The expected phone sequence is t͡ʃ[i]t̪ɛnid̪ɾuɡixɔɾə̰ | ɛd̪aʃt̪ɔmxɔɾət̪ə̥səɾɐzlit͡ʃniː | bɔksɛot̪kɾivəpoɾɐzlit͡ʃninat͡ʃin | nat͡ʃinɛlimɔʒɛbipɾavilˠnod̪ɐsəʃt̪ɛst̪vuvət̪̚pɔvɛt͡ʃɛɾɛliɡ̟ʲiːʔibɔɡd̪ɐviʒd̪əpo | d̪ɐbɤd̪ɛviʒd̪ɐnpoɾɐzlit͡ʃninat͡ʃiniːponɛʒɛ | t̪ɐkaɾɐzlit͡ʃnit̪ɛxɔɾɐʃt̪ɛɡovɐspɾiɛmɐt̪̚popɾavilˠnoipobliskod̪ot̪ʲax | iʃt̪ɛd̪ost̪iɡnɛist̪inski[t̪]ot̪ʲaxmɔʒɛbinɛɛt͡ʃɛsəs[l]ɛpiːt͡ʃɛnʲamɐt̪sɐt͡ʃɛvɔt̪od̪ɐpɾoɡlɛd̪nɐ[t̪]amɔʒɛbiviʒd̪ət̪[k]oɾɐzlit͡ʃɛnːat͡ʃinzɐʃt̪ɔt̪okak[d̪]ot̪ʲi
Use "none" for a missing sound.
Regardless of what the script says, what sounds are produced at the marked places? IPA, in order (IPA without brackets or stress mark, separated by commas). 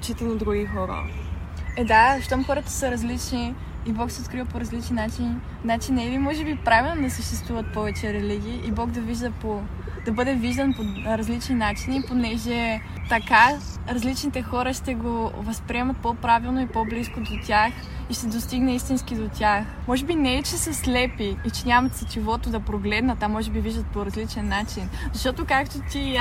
i, d̪, l, t̪, p, t̪